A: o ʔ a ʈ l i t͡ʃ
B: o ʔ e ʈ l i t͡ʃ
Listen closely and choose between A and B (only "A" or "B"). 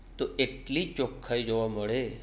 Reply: B